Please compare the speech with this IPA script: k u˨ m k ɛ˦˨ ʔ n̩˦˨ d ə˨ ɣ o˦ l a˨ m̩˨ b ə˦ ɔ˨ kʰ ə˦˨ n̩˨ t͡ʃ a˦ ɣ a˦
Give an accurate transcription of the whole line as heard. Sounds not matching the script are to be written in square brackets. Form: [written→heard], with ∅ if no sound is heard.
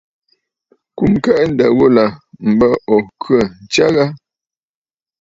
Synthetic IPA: k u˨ m k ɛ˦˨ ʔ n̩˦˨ d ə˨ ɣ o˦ l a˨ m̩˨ b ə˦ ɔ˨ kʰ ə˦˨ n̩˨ t͡ʃ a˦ ɣ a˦